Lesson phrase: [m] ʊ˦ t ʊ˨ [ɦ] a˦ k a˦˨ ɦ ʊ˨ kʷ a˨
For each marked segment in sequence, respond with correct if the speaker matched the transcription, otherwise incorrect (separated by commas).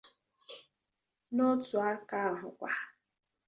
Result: incorrect, incorrect